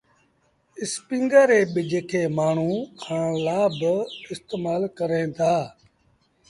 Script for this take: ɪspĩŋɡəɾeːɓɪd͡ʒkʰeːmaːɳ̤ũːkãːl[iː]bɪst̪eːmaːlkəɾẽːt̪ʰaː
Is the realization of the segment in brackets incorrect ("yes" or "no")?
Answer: yes